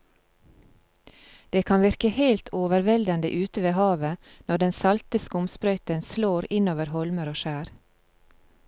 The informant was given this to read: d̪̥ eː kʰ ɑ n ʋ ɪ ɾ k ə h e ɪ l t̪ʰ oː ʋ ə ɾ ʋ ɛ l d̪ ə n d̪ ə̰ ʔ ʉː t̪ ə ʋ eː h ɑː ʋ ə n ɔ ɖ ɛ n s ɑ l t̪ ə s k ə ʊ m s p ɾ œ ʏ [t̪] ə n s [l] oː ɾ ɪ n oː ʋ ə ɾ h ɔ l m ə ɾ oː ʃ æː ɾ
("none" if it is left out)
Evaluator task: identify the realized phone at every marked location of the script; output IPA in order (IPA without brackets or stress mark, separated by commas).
t̪, l